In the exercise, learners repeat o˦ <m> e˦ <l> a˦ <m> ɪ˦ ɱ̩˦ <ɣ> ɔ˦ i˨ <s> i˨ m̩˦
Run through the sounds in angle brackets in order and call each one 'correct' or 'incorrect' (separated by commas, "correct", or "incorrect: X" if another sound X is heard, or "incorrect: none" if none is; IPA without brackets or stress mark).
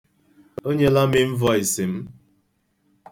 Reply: incorrect: ɲ, correct, correct, incorrect: v, correct